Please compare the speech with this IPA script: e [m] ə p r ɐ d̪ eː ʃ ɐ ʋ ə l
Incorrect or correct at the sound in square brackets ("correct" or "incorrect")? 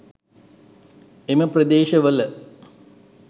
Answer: correct